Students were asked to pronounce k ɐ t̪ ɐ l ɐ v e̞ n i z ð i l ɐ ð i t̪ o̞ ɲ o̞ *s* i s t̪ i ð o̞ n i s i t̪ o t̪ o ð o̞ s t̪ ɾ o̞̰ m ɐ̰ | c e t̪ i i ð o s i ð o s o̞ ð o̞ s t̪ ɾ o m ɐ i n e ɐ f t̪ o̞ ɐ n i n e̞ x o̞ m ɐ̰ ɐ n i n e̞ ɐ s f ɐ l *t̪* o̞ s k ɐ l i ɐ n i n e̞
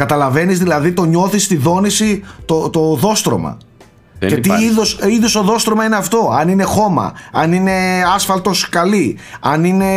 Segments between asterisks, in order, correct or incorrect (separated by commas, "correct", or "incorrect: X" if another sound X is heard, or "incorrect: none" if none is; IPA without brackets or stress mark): incorrect: θ, correct